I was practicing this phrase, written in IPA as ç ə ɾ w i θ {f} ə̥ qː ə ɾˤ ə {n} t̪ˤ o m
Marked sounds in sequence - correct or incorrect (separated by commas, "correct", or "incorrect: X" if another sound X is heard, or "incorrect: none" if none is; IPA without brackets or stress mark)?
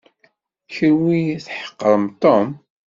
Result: incorrect: ħ, incorrect: m